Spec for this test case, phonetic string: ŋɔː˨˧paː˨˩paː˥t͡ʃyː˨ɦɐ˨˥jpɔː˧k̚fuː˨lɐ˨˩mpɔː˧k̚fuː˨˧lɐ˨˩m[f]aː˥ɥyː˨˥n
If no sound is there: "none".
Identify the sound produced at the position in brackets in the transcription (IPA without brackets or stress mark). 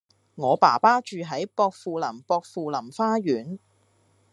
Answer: f